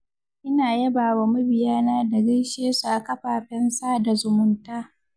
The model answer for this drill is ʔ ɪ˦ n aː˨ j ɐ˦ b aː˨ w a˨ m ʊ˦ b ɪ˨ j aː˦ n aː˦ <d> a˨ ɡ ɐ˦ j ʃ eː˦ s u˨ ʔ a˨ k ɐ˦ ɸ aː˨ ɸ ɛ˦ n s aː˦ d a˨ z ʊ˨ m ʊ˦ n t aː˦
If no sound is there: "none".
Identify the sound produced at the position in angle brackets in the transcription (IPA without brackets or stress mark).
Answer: d